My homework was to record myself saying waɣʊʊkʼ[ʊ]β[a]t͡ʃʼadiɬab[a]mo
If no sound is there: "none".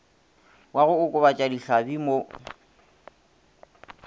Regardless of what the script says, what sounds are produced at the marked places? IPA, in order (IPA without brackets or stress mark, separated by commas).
ʊ, a, i